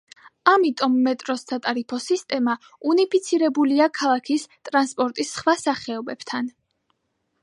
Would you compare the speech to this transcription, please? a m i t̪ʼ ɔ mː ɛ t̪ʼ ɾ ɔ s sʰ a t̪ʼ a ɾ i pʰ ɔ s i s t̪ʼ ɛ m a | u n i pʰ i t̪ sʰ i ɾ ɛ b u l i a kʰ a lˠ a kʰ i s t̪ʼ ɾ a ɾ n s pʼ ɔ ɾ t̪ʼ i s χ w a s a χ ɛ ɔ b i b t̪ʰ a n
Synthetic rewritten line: a m i t̪ʼ ɔ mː ɛ t̪ʼ ɾ ɔ s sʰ a t̪ʼ a ɾ i pʰ ɔ s i s t̪ʼ ɛ m a | u n i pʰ i t̪ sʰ i ɾ ɛ b u l i a kʰ a lˠ a kʰ i s t̪ʼ ɾ a n s pʼ ɔ ɾ t̪ʼ i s χ w a s a χ ɛ ɔ b ɛ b t̪ʰ a n